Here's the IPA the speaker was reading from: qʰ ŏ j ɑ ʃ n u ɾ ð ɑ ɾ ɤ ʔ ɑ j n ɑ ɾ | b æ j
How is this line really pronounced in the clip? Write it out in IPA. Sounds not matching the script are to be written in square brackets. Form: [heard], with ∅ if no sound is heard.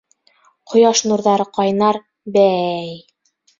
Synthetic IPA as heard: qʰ ŏ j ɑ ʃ n u ɾ ð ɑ ɾ ɤ [q] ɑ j n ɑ ɾ | b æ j